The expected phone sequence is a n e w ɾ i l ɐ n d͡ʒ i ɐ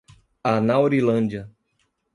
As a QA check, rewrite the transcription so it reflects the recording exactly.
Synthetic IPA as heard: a n a w ɾ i l ɐ̃ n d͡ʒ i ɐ